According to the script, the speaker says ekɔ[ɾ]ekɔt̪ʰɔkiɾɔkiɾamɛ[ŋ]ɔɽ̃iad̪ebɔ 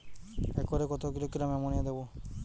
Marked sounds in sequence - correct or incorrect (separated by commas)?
correct, incorrect